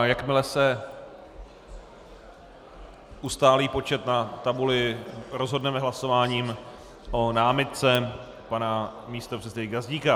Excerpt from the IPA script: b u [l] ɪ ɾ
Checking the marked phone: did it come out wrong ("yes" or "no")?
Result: no